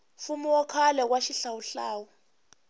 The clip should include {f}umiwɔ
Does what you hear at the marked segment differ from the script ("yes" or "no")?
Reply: no